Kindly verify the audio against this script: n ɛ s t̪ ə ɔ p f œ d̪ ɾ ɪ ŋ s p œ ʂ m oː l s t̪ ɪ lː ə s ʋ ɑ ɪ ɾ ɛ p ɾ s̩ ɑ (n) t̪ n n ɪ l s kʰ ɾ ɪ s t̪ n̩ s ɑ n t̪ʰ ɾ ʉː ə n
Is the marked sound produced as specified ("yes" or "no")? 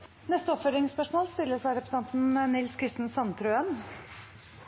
yes